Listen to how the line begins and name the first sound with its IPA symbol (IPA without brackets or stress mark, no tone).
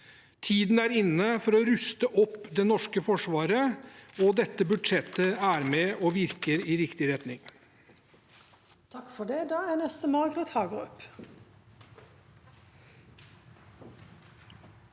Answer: t̪ʰ